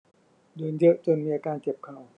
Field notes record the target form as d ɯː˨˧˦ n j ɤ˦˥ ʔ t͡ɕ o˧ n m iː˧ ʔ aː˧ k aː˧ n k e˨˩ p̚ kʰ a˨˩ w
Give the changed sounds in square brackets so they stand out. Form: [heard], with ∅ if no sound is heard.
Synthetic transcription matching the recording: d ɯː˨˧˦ n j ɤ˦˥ ʔ t͡ɕ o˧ n m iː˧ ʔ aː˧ k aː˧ n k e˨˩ p̚ kʰ a˨˩ w